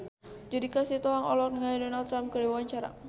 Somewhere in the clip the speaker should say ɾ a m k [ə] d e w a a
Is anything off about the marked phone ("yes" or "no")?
no